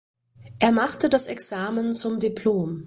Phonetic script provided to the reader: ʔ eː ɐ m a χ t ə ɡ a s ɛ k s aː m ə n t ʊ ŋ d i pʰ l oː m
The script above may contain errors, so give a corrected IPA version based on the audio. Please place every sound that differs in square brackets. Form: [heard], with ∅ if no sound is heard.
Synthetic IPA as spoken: ʔ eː ɐ m a χ t ə [d] a s ɛ k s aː m ə n [t͡s] ʊ [m] d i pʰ l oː m